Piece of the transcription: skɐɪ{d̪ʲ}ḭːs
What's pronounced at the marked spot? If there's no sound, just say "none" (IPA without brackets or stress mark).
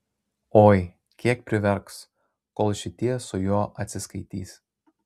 t̪ʲ